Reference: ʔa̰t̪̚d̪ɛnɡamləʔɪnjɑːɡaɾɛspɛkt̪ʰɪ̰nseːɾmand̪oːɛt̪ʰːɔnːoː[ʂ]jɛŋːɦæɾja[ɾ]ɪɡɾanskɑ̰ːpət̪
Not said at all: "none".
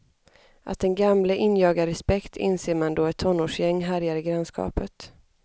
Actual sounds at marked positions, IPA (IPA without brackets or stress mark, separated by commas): ʂ, ɾ